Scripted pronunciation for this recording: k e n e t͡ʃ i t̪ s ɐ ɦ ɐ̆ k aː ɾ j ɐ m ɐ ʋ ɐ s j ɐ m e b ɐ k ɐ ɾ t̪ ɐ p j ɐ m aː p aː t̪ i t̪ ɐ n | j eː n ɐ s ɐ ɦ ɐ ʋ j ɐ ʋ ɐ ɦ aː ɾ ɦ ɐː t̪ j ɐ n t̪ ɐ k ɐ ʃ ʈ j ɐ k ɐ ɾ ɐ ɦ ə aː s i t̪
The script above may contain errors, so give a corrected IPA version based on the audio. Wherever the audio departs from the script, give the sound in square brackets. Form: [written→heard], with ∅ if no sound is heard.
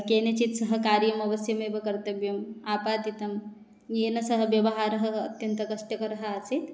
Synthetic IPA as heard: k e n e t͡ʃ i t̪ s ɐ ɦ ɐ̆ k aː ɾ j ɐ m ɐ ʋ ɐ s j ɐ m e b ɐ k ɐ ɾ t̪ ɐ [p→b] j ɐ m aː p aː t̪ i t̪ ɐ [n→m] | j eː n ɐ s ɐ ɦ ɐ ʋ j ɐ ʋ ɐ ɦ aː ɾ ɦ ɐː t̪ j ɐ n t̪ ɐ k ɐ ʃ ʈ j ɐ k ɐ ɾ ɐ ɦ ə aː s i t̪

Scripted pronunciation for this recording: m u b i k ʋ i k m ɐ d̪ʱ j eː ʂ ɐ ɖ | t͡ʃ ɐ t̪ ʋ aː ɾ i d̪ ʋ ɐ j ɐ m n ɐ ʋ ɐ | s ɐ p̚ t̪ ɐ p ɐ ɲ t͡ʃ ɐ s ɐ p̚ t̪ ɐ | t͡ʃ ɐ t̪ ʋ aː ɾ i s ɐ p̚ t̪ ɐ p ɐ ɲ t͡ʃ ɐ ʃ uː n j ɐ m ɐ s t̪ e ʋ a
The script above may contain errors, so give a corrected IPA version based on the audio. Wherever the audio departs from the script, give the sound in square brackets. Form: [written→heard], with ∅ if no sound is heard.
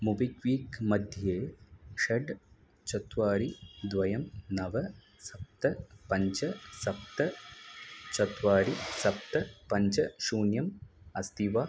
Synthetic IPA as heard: m u b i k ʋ [i→iː] k m ɐ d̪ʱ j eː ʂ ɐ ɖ | t͡ʃ ɐ t̪ ʋ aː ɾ i d̪ ʋ ɐ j ɐ m n ɐ ʋ ɐ | s ɐ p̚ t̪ ɐ p ɐ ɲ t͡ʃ ɐ s ɐ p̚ t̪ ɐ | t͡ʃ ɐ t̪ ʋ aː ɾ i s ɐ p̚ t̪ ɐ p ɐ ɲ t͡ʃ ɐ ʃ uː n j ɐ m ɐ s t̪ [e→i] ʋ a

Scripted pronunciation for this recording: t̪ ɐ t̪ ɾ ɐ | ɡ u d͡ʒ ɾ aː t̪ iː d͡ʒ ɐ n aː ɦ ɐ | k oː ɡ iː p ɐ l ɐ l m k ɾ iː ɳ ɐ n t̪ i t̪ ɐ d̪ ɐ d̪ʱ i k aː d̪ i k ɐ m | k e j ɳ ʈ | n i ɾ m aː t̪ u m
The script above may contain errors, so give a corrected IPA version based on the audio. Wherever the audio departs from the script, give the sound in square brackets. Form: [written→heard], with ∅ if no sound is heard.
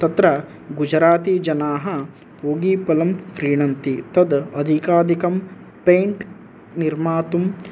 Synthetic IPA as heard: t̪ ɐ t̪ ɾ ɐ | ɡ u d͡ʒ ɾ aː t̪ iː d͡ʒ ɐ n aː ɦ ɐ | [k→p] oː ɡ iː p ɐ l ɐ [l→∅] m k ɾ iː ɳ ɐ n t̪ i t̪ ɐ d̪ ɐ d̪ʱ i k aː d̪ i k ɐ m | [k→p] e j ɳ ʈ | n i ɾ m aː t̪ u m

